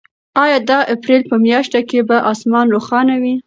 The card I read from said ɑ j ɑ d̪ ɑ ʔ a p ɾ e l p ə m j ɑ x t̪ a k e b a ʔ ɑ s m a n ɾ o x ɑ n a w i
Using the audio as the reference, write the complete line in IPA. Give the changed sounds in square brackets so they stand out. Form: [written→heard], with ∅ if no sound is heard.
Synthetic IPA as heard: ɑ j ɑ d̪ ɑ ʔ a p ɾ e l p ə m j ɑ [x→ʃ] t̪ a k e b a ʔ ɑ s m [a→ɑ] n ɾ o x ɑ n a w i